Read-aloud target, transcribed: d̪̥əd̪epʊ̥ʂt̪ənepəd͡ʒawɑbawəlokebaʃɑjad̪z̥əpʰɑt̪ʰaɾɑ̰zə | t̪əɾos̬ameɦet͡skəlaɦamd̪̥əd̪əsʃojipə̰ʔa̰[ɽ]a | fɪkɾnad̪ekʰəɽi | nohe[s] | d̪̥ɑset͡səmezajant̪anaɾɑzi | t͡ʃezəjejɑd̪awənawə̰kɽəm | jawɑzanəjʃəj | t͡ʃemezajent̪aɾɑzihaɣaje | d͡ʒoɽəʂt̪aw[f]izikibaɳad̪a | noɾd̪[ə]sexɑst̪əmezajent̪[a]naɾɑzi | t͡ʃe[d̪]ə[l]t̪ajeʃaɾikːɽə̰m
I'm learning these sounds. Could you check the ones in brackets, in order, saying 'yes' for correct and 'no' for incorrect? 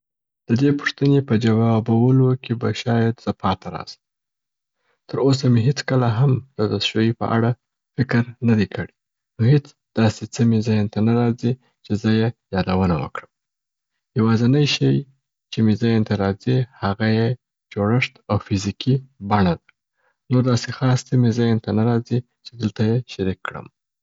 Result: yes, no, yes, no, yes, yes, yes

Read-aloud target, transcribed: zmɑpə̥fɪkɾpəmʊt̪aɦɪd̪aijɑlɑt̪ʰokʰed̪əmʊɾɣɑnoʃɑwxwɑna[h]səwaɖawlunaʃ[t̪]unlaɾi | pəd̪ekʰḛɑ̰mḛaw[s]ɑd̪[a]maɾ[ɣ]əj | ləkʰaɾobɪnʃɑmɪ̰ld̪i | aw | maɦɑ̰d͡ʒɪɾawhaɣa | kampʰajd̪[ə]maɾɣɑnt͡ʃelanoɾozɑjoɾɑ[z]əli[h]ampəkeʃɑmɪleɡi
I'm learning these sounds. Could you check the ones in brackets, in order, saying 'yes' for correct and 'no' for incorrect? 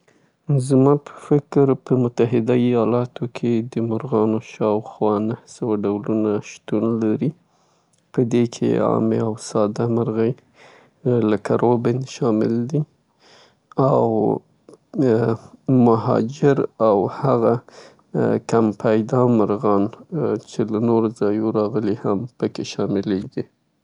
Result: yes, yes, yes, yes, yes, no, no, yes

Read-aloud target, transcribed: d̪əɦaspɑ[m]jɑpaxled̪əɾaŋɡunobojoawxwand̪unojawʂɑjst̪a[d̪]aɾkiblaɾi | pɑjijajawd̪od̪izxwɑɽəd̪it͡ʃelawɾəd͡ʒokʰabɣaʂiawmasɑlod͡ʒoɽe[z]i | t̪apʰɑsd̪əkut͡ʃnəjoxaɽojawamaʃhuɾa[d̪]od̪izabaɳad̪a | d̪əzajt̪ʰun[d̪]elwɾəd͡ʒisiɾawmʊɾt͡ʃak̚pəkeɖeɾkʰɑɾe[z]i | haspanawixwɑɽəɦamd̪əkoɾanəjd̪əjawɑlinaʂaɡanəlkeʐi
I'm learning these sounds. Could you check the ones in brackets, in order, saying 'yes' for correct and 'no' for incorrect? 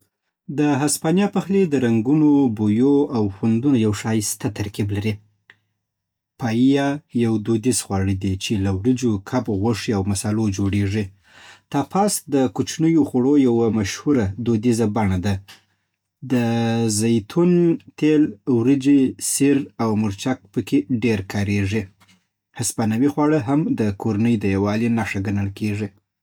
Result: no, no, no, yes, no, no

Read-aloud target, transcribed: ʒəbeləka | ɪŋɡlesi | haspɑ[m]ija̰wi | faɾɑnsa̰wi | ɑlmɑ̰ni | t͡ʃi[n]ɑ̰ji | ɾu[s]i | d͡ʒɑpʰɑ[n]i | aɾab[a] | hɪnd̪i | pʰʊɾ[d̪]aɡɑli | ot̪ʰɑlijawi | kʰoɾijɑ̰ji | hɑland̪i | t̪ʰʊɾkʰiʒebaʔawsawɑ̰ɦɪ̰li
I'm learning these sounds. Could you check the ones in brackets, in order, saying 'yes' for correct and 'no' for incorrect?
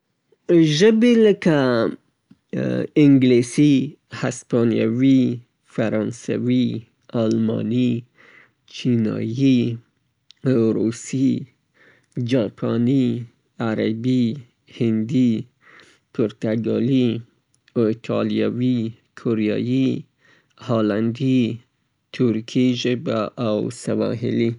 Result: no, yes, yes, yes, no, no

